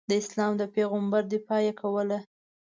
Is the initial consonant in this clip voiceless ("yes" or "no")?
no